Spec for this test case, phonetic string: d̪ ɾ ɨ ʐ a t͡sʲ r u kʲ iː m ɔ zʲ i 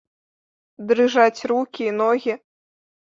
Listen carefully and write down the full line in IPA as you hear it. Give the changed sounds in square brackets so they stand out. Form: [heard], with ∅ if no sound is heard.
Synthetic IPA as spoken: d̪ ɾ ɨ ʐ a t͡sʲ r u kʲ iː [n] ɔ [ɣʲ] i